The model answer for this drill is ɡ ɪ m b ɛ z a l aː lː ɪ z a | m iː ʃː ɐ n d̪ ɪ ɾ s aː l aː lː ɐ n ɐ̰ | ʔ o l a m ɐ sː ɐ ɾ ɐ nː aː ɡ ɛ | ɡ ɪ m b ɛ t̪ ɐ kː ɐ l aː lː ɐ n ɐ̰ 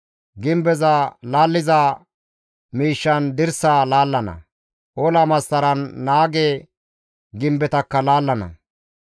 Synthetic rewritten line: ɡ ɪ m b ɛ z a l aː lː ɪ z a | m iː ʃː ɐ n d̪ ɪ ɾ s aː l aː lː ɐ n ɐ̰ | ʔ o l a m ɐ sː ɐ ɾ ɐ nː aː ɡ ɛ | ɡ ɪ m b ɛ t̪ ɐ kː ɐ l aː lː ɐ n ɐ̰